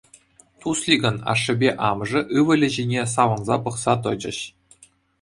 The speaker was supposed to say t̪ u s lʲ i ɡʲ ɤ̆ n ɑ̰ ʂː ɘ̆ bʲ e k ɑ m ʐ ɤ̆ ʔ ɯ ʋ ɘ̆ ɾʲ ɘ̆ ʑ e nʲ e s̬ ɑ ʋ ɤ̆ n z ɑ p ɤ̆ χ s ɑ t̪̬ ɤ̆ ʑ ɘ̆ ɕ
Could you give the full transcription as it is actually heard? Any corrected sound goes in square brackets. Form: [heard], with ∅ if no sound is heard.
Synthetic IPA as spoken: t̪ u s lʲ i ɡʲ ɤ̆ n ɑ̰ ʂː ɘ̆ bʲ e [ʔ] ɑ m ʐ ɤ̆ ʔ ɯ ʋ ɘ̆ [lʲ] ɘ̆ ʑ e nʲ e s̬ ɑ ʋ ɤ̆ n z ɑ p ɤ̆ χ s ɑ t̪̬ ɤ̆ [d͡ʑ] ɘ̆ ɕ

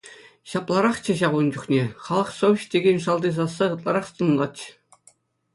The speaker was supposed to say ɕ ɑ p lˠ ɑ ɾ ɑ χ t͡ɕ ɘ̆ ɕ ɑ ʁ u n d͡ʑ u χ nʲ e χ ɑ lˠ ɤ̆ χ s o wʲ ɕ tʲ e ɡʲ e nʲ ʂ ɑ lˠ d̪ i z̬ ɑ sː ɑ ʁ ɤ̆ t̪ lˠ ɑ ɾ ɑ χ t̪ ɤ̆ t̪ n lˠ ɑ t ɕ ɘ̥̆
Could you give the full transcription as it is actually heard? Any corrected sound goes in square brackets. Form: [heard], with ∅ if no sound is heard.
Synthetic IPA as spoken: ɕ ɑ p lˠ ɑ ɾ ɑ χ t͡ɕ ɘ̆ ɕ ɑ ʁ u n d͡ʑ u χ nʲ e χ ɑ lˠ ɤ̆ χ s o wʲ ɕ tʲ e ɡʲ e nʲ ʂ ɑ lˠ d̪ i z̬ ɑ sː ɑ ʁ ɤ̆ t̪ lˠ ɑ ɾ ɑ χ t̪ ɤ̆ [∅] n lˠ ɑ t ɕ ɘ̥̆

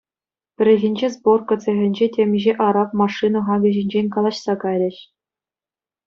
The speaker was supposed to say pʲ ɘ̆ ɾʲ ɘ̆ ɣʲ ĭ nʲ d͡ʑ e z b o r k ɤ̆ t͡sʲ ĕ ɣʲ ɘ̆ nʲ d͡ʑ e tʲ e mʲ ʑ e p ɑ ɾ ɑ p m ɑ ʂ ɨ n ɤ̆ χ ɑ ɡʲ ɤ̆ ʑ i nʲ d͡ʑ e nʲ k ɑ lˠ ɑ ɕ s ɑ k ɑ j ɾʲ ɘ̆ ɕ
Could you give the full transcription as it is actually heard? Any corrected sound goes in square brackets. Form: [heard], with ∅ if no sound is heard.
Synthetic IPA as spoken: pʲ ɘ̆ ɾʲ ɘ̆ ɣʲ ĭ nʲ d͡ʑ e z b o r k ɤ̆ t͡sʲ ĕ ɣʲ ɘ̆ nʲ d͡ʑ e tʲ e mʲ ʑ e [ʔ] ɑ ɾ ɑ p m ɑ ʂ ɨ n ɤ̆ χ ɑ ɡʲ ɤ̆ ʑ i nʲ d͡ʑ e nʲ k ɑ lˠ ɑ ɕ s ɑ k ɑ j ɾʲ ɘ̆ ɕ

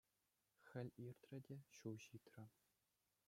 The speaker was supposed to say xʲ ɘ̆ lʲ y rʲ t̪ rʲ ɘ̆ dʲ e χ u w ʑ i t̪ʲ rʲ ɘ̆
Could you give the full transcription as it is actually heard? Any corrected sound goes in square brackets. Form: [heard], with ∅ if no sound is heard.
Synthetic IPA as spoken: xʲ ɘ̆ lʲ [i] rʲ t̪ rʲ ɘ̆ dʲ e [ɕ] u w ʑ i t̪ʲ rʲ ɘ̆

